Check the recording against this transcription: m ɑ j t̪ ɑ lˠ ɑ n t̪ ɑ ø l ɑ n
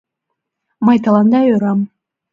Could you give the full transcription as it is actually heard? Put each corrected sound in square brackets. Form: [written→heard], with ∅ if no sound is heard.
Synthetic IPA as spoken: m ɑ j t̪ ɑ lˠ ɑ n [t̪→d̪] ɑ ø [l→ɾ] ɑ [n→m]